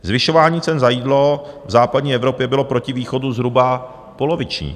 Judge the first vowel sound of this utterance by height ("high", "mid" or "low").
high